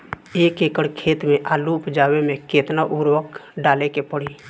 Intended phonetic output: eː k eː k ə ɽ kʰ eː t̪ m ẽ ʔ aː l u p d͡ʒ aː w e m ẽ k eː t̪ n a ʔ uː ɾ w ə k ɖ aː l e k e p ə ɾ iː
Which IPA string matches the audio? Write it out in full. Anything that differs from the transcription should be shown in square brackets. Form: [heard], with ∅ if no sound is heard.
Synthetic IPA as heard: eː k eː k ə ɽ kʰ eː t̪ m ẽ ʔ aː l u p d͡ʒ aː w e m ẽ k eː t̪ n a ʔ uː ɾ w ə k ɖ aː l e k e p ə [ɽ] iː